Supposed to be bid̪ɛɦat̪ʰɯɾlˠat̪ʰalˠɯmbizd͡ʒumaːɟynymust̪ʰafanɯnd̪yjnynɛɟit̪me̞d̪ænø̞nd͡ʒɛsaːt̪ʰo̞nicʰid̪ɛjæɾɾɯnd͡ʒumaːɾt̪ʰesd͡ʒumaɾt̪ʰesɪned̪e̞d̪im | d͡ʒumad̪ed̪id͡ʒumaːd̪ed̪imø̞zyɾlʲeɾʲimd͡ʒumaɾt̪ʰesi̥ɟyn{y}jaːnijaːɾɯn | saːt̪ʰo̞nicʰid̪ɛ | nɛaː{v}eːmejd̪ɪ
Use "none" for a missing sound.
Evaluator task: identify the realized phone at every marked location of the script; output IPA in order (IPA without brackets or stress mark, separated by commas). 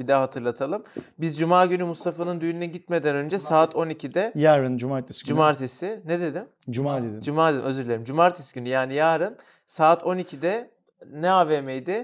y, v